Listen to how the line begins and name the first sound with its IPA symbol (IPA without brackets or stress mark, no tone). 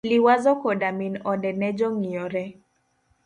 l